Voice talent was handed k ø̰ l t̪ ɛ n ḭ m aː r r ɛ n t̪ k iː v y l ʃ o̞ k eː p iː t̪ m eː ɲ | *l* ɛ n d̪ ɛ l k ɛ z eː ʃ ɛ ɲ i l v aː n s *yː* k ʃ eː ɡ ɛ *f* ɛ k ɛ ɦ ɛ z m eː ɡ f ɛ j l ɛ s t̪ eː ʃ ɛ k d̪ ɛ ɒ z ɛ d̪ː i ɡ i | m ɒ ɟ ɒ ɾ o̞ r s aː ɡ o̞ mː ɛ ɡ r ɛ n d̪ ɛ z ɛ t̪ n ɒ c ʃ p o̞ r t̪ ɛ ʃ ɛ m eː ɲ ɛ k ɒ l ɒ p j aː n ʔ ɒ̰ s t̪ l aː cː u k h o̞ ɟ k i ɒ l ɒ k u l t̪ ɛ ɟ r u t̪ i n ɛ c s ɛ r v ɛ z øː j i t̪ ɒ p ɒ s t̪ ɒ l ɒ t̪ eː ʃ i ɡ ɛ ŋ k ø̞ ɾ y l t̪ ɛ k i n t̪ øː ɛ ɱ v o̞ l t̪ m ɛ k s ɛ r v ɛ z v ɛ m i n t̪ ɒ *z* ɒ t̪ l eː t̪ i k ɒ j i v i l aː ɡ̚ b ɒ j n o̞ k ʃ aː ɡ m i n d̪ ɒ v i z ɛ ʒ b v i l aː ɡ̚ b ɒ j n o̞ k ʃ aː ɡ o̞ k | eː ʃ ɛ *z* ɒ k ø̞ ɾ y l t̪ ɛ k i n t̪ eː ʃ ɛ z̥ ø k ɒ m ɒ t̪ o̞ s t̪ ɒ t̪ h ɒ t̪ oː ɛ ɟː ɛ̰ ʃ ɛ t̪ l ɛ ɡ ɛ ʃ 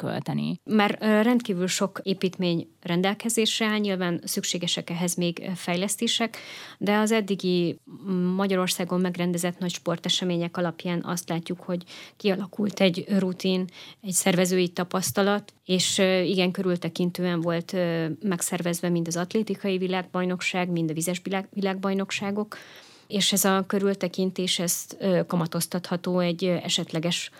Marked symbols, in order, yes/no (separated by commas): no, no, no, yes, yes